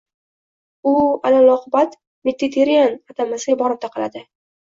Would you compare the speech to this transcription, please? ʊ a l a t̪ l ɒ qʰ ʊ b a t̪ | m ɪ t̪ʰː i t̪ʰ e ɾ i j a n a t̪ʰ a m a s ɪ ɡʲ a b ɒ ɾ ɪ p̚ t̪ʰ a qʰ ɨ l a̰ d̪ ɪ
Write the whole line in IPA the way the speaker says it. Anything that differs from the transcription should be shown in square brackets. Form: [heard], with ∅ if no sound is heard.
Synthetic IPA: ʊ a l a [∅] l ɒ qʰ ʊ b a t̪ | m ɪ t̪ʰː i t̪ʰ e ɾ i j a n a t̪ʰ a m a s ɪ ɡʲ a b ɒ ɾ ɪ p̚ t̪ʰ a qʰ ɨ l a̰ d̪ ɪ